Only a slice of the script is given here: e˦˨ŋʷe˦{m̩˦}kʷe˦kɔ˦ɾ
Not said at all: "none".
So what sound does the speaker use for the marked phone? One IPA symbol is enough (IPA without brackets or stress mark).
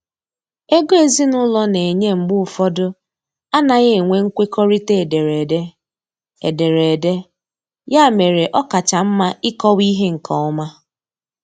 ŋ̩˦